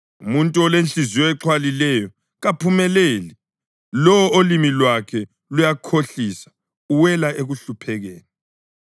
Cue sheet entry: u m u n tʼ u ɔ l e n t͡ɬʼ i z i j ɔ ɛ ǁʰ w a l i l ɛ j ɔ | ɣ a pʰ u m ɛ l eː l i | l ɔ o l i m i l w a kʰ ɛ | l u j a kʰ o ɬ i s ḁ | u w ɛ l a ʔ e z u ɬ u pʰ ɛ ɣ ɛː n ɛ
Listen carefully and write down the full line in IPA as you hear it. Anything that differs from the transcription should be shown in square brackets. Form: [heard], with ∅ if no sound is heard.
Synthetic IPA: u m u n tʼ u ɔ l e n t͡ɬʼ i z i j ɔ ɛ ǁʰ w a l i l ɛ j ɔ | ɣ a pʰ u m ɛ l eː l i | l ɔ o l i m i l w a kʰ ɛ | l u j a kʰ o ɬ i s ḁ | u w ɛ l a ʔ e [ɣ] u ɬ u pʰ ɛ ɣ ɛː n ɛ